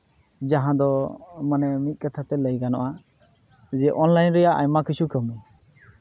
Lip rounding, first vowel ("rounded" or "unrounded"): unrounded